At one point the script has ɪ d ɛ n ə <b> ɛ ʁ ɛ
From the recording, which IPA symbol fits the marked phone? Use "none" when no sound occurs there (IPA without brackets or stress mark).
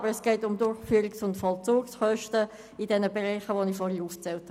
b